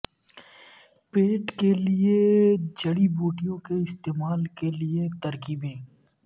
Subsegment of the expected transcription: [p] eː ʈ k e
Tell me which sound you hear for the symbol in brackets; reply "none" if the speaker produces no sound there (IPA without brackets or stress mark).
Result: p